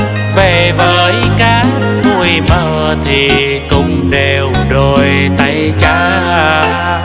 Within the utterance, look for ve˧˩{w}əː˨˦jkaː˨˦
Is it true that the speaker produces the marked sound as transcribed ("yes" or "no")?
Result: no